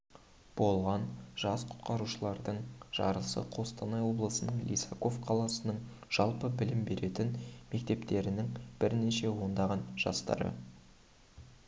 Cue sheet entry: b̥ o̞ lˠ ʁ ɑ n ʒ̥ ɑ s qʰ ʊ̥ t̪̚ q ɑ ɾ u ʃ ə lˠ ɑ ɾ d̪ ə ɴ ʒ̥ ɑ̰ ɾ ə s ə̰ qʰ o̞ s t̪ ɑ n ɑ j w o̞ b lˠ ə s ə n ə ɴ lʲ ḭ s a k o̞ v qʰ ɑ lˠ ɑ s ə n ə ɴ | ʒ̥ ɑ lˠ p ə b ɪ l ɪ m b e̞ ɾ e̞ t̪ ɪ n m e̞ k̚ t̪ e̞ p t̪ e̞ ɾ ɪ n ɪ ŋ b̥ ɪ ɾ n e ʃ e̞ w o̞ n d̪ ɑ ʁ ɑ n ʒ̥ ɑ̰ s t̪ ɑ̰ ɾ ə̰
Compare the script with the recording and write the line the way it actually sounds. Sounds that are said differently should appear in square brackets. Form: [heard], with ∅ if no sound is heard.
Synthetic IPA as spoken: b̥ o̞ lˠ ʁ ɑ n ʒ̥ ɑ s qʰ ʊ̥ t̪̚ q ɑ ɾ u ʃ ə lˠ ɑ ɾ d̪ ə ɴ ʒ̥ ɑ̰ ɾ ə s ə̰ qʰ o̞ s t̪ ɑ n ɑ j w o̞ b lˠ ə s ə n ə ɴ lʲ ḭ s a k o̞ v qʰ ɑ lˠ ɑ s ə n ə ɴ | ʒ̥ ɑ lˠ p ə b ɪ l ɪ m b e̞ ɾ e̞ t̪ ɪ n m e̞ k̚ t̪ e̞ p t̪ e̞ ɾ ɪ n ɪ ŋ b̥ ɪ ɾ n e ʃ e̞ w o̞ n d̪ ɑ ʁ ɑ n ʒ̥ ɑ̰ s t̪ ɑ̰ ɾ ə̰